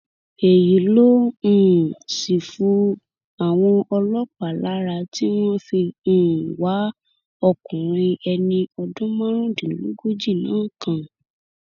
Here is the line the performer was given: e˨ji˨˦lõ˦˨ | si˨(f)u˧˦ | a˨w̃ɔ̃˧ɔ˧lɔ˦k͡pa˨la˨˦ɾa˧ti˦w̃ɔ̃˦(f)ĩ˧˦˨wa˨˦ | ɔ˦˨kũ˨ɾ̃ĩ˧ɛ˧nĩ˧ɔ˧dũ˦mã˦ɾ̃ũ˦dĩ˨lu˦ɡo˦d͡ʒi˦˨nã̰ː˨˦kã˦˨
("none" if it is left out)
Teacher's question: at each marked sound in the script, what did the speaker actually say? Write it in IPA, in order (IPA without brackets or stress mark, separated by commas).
f, f